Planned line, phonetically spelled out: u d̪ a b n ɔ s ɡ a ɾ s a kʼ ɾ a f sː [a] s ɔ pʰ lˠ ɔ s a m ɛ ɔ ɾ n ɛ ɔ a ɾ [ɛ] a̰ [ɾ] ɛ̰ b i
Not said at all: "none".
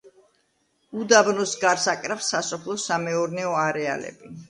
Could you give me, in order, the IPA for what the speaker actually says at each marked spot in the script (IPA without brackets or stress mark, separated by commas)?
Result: a, ɛ, l